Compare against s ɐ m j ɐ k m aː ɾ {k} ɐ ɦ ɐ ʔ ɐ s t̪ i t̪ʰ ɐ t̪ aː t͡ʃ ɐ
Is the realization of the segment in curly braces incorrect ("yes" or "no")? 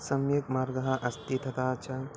yes